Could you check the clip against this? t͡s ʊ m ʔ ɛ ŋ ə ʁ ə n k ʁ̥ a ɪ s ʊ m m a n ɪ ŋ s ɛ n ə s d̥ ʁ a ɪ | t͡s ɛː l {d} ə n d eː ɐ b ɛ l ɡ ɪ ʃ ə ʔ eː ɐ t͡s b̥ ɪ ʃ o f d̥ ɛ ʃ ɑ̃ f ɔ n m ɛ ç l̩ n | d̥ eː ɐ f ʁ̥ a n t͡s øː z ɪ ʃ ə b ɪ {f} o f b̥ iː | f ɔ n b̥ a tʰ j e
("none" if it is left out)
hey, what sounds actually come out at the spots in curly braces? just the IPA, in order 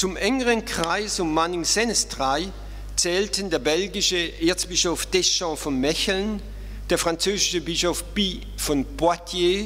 t, ʃ

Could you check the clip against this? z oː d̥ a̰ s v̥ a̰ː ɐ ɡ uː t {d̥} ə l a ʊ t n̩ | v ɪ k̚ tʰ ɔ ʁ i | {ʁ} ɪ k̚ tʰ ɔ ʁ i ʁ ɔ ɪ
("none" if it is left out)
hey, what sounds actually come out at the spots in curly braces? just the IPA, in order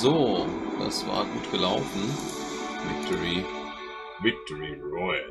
ɡ̥, v

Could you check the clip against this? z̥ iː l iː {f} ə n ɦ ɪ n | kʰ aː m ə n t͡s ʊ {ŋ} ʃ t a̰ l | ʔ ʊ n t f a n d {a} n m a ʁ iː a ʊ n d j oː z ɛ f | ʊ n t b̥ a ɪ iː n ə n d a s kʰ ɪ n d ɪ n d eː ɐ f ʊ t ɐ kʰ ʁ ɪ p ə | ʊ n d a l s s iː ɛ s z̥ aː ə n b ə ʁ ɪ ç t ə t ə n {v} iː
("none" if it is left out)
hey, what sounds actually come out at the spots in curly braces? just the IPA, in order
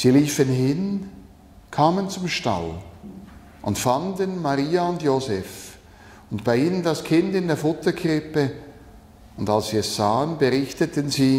f, m, ə, z

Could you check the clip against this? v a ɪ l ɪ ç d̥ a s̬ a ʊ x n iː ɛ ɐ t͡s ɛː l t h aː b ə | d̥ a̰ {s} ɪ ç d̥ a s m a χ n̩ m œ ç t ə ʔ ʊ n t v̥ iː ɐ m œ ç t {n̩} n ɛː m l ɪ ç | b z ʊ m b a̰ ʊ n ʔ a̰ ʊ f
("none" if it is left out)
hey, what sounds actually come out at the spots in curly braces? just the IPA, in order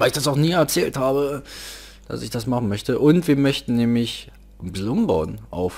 s, n̩

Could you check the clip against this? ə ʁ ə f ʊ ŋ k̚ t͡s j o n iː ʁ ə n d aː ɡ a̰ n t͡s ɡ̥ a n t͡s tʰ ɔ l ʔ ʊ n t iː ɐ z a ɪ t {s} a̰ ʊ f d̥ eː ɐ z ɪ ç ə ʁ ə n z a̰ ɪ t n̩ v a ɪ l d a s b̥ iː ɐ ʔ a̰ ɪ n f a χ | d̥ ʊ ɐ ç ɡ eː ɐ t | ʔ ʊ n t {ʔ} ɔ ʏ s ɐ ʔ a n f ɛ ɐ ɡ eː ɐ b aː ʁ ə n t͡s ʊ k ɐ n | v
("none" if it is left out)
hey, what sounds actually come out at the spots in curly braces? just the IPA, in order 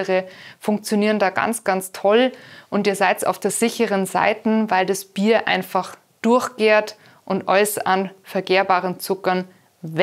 s, ʔ

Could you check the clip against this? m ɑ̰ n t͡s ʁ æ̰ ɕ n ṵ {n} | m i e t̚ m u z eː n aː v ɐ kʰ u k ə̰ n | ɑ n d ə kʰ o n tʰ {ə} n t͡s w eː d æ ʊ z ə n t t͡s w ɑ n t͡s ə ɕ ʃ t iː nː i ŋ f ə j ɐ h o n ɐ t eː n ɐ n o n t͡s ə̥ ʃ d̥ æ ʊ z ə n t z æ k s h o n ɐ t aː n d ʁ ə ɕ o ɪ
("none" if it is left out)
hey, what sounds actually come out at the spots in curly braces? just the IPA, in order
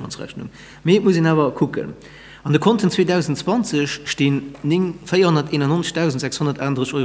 ŋ, ə

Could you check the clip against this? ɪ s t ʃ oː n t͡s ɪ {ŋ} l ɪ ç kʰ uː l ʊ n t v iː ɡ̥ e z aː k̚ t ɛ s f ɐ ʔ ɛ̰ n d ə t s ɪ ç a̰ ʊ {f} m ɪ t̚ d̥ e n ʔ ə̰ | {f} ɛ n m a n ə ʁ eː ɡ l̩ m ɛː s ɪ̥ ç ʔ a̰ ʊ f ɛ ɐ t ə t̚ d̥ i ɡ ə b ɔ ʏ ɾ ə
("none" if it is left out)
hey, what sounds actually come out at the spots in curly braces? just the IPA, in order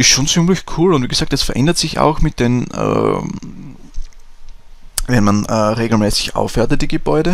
m, x, v

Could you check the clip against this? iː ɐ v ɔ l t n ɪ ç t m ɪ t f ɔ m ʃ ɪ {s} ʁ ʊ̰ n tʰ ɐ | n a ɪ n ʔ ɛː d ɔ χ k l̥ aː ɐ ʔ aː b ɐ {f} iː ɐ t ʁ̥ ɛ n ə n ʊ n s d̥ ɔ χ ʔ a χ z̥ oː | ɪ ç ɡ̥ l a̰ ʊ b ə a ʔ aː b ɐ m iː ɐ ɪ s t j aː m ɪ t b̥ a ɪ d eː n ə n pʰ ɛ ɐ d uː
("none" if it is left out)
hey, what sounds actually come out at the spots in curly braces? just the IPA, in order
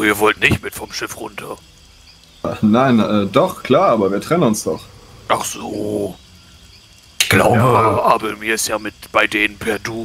f, v

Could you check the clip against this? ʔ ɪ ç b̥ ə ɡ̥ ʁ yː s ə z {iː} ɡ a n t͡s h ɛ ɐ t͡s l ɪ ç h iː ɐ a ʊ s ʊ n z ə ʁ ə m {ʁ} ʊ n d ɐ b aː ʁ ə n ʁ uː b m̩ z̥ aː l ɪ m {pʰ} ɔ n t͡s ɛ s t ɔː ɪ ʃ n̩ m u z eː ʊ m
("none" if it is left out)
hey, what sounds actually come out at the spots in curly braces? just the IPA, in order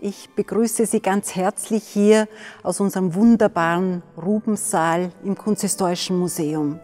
iː, v, kʰ

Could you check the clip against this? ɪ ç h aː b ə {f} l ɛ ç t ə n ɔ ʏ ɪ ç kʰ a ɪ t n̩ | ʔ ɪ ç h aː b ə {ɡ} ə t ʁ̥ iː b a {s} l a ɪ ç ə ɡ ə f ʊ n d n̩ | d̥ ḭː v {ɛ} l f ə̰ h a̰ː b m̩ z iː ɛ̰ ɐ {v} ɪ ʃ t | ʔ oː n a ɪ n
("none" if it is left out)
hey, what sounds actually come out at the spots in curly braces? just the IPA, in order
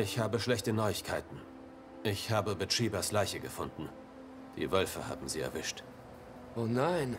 ʃ, b, s, œ, v

